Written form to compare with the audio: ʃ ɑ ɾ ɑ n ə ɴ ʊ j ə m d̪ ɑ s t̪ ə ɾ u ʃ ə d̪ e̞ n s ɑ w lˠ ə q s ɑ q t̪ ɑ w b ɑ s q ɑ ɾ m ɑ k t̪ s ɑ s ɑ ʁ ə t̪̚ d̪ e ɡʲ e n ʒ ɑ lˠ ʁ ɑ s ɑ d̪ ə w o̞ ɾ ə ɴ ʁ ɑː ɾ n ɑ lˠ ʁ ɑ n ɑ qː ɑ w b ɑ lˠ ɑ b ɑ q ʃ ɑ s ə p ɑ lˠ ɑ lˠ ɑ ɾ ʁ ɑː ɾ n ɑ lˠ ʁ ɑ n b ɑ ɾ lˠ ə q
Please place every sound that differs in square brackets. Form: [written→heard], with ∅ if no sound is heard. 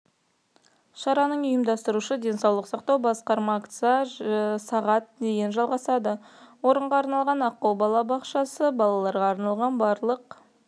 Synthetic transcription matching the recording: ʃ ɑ ɾ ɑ n ə ɴ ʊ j ə m d̪ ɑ s t̪ ə ɾ u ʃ ə d̪ e̞ n s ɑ w lˠ ə q s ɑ q t̪ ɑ w b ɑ s q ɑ ɾ m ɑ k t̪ s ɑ s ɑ ʁ [ə→ɑ] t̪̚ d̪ e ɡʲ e n ʒ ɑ lˠ ʁ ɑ s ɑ d̪ ə w o̞ ɾ ə ɴ ʁ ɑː ɾ n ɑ lˠ ʁ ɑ n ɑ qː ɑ w b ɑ lˠ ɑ b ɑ q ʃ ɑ s ə [p→b] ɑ lˠ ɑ lˠ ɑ ɾ ʁ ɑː ɾ n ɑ lˠ ʁ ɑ n b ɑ ɾ lˠ ə q